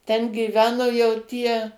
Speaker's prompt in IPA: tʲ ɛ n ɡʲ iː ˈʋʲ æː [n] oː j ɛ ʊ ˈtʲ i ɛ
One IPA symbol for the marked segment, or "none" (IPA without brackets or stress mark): n